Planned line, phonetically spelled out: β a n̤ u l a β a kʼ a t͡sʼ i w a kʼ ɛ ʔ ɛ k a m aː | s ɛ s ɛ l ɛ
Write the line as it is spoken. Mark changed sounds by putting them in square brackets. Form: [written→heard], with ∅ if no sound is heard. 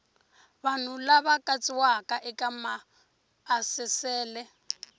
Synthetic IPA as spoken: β a n̤ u l a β a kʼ a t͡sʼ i w a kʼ [ɛ→a] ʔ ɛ k a m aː | s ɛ s [ɛ→ɛː] l ɛ